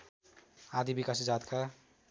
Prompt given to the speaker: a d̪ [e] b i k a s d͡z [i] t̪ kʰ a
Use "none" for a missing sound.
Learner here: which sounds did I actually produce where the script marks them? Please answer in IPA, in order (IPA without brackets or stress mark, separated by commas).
i, a